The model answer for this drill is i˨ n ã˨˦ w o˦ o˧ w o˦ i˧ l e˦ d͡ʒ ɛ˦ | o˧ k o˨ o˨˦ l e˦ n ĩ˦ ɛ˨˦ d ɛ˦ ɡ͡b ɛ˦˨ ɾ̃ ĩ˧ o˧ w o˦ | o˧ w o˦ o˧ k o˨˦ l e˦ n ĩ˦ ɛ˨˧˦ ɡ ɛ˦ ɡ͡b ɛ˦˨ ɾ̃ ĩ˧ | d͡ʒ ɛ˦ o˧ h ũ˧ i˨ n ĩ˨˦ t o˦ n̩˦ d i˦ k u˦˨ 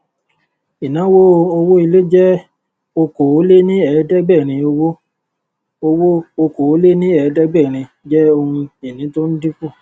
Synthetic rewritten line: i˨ n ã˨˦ w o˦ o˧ w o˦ i˧ l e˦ d͡ʒ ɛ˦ | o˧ k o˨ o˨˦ l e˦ n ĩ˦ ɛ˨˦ d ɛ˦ ɡ͡b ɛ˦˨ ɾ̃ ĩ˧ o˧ w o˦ | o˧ w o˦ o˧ k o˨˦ l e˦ n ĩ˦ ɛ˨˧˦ d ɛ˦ ɡ͡b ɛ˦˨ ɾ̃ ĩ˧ | d͡ʒ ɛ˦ o˧ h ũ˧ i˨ n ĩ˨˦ t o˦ n̩˦ d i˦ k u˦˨